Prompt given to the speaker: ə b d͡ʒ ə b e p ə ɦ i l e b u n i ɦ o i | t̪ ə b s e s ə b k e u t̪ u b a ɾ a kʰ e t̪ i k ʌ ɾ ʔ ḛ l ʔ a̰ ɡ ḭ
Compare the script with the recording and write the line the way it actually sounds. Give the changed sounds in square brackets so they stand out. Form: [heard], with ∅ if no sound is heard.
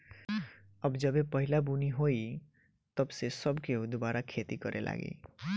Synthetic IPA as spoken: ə b d͡ʒ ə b e p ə ɦ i l [a] b u n i ɦ o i | t̪ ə b s e s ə b k e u [d̪] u b a ɾ a kʰ e t̪ i k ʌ ɾ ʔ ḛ l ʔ a̰ ɡ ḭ